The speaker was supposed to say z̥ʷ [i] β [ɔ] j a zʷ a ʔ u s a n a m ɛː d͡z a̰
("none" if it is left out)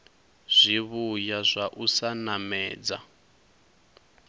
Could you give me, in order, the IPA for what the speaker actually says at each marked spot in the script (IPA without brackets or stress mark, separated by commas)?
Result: i, u